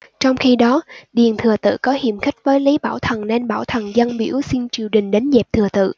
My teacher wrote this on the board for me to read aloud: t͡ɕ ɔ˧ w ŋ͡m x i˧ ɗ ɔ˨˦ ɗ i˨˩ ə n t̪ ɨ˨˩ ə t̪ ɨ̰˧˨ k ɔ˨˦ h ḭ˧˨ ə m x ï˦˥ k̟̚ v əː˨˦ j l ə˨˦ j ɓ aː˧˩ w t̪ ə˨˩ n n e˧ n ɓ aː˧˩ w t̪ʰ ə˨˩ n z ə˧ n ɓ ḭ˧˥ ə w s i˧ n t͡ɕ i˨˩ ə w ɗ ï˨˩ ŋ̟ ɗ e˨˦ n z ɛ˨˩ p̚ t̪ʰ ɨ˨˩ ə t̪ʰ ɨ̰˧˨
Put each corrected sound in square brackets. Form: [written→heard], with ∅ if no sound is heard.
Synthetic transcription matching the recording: t͡ɕ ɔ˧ w ŋ͡m x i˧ ɗ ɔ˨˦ ɗ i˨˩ ə n [t̪→t̪ʰ] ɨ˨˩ ə t̪ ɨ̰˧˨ k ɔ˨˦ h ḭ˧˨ ə m x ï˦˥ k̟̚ v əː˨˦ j l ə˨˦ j ɓ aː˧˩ w [t̪→t̪ʰ] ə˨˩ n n e˧ n ɓ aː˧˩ w t̪ʰ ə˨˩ n z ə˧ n ɓ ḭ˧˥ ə w s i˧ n t͡ɕ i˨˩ ə w ɗ ï˨˩ ŋ̟ ɗ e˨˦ n z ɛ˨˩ p̚ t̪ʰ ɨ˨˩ ə [t̪ʰ→t̪] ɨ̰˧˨